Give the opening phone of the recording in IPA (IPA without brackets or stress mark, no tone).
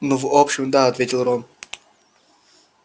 n